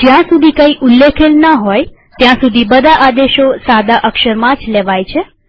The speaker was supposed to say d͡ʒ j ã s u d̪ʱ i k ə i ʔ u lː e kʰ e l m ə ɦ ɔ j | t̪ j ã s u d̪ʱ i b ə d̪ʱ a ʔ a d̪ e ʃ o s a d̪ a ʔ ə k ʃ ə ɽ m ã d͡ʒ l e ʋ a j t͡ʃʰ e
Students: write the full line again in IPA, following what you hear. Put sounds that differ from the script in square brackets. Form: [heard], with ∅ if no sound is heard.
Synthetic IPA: d͡ʒ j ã s u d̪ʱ i k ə i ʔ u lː e kʰ e l [n] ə ɦ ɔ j | t̪ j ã s u d̪ʱ i b ə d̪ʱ a ʔ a d̪ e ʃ o s a d̪ a ʔ ə k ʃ ə [ɾ] m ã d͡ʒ l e ʋ a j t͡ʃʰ e

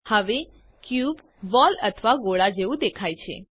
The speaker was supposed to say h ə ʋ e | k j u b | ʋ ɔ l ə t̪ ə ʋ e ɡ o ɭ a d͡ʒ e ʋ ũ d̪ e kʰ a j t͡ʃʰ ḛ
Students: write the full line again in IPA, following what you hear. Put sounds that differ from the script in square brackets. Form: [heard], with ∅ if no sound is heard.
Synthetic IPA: h ə ʋ e | k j u b | ʋ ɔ l ə [t̪ʰ] ə ʋ [a] ɡ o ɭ a d͡ʒ e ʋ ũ d̪ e kʰ a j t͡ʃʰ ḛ

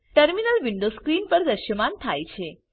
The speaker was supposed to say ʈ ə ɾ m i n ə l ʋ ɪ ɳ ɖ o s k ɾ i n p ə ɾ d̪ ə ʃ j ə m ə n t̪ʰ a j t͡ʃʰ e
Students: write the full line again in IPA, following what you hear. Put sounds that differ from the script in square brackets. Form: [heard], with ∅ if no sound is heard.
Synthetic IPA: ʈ ə ɾ m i n ə l ʋ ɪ ɳ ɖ o s k ɾ i n p ə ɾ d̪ ə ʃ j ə m [a] n t̪ʰ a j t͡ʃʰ e

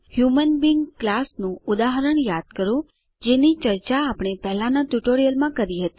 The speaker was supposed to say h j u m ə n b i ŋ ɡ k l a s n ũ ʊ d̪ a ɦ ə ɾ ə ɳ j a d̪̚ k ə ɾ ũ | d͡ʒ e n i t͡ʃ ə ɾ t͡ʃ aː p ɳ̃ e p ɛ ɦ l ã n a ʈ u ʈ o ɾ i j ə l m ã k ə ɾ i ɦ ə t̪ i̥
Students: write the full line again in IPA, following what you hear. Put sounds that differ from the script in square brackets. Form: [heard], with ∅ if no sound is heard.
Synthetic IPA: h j u m ə n b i ŋ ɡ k l a s n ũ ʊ d̪ a ɦ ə ɾ ə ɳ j a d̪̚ k ə ɾ ũ | d͡ʒ e n i t͡ʃ ə ɾ t͡ʃ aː p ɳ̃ e p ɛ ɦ l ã n a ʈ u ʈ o ɾ i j ə l m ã k ə ɾ i ɦ ə t̪ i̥

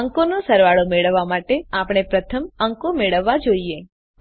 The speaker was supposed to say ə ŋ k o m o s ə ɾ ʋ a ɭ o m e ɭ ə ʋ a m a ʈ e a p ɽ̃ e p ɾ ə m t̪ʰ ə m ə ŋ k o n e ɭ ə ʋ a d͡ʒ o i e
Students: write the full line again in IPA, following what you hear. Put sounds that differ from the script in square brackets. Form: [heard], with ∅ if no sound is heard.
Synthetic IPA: ə ŋ k o [n] o s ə ɾ ʋ a ɭ o m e ɭ ə [ʋː] a m a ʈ e a p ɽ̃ e p ɾ ə [∅] t̪ʰ ə m ə ŋ k o [m] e ɭ ə [ʋː] a d͡ʒ o i e

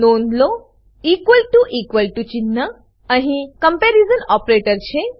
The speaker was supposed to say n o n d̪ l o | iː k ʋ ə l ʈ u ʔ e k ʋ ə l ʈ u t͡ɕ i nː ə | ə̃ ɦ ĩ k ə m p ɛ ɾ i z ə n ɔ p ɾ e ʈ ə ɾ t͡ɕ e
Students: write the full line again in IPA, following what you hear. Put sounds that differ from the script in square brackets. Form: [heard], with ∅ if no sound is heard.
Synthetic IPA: n o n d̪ l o | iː k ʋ ə l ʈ u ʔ [i] k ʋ ə l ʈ u t͡ɕ i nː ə | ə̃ ɦ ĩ k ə m p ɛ ɾ i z ə n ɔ p ɾ e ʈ ə ɾ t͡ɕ e

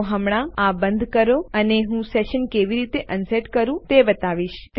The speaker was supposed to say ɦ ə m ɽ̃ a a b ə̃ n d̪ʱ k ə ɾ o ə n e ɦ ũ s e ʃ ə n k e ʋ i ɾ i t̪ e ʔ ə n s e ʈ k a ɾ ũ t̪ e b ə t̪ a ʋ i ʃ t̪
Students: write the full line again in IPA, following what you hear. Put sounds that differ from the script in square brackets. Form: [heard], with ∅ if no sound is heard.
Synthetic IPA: ɦ ə m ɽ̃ a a b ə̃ n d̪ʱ k ə ɾ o ə n e ɦ ũ s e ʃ ə n k e ʋ i ɾ i t̪ e ʔ ə n s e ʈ k [ə] ɾ ũ t̪ e b ə t̪ a ʋ i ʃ t̪

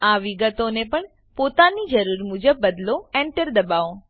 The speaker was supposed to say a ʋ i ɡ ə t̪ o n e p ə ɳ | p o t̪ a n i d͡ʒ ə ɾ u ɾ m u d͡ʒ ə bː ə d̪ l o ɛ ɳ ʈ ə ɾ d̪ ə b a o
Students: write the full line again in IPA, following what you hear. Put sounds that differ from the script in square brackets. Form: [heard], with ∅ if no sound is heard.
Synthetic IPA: a ʋ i ɡ ə t̪ o n e p ə ɳ | p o t̪ a n i d͡ʒ ə ɾ u ɾ m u d͡ʒ ə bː ə d̪ l o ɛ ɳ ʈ ə ɾ d̪ ə b a o

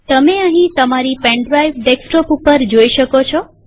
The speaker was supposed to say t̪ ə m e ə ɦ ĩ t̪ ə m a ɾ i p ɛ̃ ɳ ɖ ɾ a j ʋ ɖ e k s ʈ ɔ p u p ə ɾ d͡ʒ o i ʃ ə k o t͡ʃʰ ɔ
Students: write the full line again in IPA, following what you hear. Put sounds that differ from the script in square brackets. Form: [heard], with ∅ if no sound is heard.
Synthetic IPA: t̪ ə m e ə ɦ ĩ t̪ ə m a ɾ i p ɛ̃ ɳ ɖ ɾ a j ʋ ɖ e k s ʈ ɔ p u p ə ɾ d͡ʒ o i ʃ ə k o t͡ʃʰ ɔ

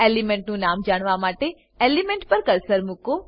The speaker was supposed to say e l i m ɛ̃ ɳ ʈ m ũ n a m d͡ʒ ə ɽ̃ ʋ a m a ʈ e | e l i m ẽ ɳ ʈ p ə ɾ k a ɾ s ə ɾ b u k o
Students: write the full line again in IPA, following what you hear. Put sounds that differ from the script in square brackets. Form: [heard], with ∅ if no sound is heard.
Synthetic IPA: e l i m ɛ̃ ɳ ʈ [n] ũ n a m d͡ʒ [a] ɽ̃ ʋ a m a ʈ e | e l i m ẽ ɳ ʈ p ə ɾ k [ə] ɾ s ə ɾ [m] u k o

